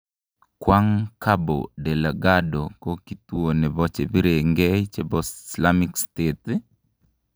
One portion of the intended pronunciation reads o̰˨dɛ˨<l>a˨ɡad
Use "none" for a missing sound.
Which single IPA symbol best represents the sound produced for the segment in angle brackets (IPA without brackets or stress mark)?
l